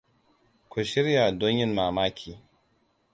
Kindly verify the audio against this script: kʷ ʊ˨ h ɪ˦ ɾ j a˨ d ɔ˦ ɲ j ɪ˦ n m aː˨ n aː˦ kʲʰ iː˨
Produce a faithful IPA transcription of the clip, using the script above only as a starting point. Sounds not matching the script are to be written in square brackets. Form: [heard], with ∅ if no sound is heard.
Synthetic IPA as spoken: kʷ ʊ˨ [ʃ] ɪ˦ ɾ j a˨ d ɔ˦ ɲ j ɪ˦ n m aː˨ [m] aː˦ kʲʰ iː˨

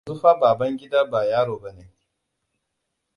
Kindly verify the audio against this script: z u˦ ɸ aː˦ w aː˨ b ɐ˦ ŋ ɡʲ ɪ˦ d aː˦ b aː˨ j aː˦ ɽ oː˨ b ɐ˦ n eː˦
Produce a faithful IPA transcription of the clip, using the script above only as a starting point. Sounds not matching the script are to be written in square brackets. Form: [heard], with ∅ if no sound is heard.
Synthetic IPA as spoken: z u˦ ɸ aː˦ [b] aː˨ b ɐ˦ ŋ ɡʲ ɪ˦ d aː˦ b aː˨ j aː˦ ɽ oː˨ b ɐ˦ n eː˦

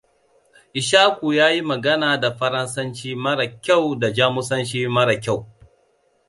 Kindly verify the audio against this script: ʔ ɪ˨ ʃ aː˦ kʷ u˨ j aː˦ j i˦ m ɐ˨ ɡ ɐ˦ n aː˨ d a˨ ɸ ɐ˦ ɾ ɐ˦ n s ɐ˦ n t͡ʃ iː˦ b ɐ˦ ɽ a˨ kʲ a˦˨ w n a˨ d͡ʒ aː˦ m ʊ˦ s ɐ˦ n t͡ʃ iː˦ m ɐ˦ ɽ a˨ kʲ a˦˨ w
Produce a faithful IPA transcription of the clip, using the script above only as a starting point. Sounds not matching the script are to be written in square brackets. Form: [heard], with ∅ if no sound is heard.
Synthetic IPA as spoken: ʔ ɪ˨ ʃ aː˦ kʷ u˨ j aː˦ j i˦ m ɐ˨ ɡ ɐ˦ n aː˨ d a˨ ɸ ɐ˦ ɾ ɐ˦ n s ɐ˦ n t͡ʃ iː˦ [m] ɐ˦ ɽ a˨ kʲ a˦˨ w [d] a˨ d͡ʒ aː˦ m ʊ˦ s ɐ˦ n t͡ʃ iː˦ m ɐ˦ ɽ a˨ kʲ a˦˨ w

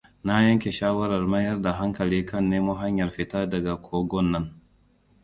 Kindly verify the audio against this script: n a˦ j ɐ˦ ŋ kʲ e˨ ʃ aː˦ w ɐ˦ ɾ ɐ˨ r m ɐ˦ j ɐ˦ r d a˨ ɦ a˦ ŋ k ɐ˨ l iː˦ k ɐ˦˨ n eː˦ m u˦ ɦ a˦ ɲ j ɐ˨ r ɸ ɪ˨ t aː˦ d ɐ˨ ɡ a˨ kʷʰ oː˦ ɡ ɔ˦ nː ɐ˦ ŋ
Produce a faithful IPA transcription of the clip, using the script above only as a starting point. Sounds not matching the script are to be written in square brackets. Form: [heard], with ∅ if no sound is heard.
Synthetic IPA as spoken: n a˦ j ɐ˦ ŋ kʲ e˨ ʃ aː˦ w ɐ˦ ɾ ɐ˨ r m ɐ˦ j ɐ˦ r d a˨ ɦ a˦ ŋ k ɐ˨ l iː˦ k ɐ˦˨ [nː] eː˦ m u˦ ɦ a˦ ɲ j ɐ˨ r ɸ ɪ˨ t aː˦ d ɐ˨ ɡ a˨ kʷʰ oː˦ ɡ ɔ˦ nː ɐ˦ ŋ

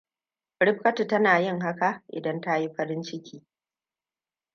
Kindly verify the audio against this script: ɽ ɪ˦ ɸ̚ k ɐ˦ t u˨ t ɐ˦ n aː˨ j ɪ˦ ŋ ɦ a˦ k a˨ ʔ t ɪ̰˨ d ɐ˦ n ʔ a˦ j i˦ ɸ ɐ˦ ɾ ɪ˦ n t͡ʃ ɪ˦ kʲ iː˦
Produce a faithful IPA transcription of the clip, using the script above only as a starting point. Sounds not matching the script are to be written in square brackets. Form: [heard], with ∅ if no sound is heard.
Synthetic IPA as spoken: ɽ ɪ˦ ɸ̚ k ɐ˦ t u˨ t ɐ˦ n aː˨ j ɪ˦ ŋ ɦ a˦ k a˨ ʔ [ʔ] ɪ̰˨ d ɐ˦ n [t] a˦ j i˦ ɸ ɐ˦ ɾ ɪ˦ n t͡ʃ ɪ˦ kʲ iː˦

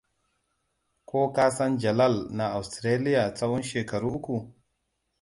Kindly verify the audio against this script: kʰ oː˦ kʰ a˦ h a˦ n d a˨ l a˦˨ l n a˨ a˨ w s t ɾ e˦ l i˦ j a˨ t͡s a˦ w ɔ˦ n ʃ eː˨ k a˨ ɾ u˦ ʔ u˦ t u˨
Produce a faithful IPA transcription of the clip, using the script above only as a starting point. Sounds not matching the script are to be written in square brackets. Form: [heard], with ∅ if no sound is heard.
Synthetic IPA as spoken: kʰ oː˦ [k] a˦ [s] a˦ n [d͡ʒ] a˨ l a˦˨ l n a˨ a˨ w s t ɾ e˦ l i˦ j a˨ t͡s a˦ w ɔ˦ n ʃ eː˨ k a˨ ɾ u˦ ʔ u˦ [k] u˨

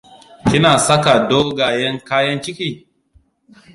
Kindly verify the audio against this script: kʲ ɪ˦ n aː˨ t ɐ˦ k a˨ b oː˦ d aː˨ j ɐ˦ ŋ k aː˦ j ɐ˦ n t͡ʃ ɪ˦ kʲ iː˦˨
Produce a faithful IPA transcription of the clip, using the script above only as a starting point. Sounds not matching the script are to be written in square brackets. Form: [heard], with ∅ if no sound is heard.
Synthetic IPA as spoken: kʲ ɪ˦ n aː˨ [s] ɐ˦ k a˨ [d] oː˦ [ɡ] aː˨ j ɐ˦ ŋ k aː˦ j ɐ˦ n t͡ʃ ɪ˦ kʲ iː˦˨

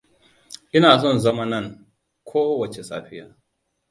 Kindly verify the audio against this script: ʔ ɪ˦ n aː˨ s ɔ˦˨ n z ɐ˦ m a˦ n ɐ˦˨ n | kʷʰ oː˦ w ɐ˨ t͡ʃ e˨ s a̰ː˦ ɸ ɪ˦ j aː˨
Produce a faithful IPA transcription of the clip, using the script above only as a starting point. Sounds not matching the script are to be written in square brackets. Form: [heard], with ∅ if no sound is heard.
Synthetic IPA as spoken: ʔ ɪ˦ n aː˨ s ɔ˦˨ n z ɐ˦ m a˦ n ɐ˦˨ [ŋ] | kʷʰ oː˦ w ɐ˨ t͡ʃ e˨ s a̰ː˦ ɸ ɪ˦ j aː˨

